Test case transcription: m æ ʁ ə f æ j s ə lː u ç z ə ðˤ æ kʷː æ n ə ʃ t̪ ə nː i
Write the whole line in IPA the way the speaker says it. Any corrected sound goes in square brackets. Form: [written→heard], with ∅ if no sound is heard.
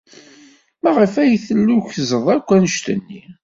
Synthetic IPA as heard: m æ ʁ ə f æ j [s→θ] ə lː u ç z ə ðˤ æ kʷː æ n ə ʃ t̪ ə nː i